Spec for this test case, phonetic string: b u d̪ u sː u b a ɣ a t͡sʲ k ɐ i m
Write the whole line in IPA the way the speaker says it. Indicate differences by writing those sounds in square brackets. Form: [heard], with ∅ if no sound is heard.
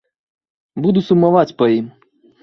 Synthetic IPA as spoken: b u d̪ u [s] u [m] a [v] a t͡sʲ [p] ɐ i m